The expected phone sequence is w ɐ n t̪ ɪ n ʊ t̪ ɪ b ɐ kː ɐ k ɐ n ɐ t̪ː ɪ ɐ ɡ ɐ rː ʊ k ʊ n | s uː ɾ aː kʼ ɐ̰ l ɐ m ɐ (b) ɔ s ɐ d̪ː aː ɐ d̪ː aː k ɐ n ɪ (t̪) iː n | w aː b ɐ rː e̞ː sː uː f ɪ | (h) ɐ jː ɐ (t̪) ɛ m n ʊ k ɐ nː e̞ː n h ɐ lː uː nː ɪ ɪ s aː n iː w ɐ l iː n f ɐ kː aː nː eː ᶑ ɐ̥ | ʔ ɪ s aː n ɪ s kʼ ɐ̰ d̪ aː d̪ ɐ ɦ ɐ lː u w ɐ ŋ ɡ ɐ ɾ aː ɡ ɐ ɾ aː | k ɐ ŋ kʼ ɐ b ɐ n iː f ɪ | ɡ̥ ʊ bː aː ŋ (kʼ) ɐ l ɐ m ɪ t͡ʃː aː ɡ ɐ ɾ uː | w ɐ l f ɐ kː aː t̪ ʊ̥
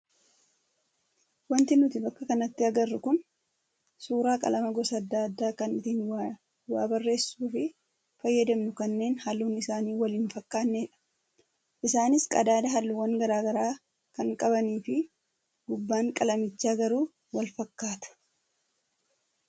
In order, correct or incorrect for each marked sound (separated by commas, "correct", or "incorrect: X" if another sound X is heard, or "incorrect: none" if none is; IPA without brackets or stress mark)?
incorrect: ɡ, correct, incorrect: f, incorrect: d̪, correct